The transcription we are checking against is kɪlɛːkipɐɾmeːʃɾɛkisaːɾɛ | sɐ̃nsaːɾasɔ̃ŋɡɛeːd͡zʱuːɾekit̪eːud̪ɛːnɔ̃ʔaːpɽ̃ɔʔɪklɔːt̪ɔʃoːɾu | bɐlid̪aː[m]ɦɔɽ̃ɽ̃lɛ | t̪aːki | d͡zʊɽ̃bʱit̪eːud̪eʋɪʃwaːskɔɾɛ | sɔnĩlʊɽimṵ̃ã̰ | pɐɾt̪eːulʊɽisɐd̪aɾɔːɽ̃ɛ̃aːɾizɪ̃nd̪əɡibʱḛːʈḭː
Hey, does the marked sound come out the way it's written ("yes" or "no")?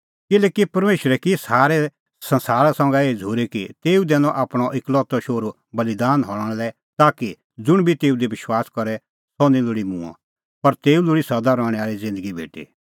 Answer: no